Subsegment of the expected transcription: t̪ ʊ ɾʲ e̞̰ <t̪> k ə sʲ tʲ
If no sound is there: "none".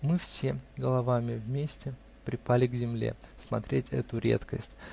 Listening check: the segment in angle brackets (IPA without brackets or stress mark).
t̪